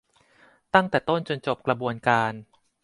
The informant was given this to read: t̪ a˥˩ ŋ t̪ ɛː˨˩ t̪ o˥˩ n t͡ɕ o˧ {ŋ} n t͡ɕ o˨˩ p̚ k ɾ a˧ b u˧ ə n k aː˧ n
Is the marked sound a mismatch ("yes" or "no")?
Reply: yes